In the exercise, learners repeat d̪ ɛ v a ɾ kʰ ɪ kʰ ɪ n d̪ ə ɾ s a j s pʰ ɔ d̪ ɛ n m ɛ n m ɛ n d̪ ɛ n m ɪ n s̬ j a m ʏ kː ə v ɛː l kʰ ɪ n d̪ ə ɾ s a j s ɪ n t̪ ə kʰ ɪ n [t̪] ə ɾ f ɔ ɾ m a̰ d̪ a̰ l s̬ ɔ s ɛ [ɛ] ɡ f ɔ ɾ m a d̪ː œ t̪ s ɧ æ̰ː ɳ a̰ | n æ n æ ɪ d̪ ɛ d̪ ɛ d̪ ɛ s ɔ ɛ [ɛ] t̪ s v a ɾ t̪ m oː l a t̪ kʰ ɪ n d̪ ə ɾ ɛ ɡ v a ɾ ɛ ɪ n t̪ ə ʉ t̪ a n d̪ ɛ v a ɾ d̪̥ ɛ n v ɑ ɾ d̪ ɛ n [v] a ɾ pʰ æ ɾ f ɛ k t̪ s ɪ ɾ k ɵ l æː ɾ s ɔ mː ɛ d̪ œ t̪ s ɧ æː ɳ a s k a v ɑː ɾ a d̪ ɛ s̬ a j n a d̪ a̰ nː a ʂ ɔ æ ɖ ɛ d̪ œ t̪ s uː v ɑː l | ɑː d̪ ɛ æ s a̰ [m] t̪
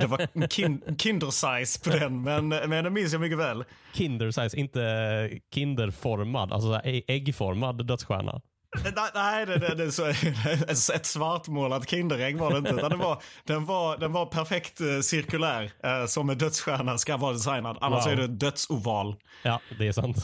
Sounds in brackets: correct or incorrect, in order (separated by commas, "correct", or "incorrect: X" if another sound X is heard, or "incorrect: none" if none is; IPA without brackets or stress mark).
incorrect: d̪, correct, correct, correct, incorrect: n